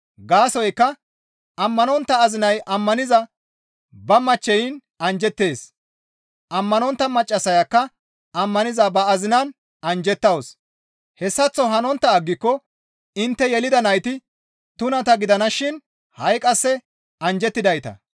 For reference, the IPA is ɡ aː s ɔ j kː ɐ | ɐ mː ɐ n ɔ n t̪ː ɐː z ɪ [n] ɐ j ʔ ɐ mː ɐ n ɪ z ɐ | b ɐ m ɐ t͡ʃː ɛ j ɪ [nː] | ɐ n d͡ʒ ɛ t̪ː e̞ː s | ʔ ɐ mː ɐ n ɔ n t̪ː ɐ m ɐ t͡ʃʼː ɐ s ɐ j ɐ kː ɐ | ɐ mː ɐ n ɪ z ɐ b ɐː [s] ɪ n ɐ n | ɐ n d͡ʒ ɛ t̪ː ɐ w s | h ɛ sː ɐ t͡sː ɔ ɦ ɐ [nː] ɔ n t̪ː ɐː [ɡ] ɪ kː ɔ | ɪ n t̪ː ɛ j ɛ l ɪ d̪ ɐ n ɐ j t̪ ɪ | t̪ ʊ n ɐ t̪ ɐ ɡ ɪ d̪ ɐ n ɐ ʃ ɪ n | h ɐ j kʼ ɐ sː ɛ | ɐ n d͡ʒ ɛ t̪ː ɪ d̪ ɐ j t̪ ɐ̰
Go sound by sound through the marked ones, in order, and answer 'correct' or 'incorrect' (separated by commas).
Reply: correct, incorrect, incorrect, incorrect, incorrect